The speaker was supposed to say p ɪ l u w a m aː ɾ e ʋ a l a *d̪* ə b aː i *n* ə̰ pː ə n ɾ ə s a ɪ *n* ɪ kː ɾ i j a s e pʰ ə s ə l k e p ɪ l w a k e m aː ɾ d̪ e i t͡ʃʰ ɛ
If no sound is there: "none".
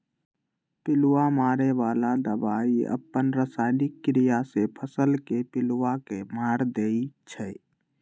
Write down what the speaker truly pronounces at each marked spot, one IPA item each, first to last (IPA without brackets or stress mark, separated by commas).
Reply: d̪, none, n